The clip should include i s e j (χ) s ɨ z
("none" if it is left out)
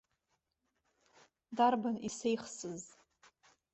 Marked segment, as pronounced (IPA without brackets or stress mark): χ